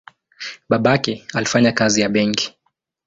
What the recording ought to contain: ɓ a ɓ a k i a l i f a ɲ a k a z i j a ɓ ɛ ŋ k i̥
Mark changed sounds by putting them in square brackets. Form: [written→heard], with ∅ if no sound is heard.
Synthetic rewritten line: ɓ a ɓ a k [i→ɛ] a l i f a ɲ a k a z i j a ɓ ɛ ŋ k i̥